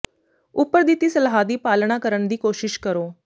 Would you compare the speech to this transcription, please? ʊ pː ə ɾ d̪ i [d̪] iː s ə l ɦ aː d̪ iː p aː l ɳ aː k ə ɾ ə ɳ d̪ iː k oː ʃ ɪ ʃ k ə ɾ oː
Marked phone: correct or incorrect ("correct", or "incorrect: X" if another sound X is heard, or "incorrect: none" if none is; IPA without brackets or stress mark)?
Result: incorrect: t̪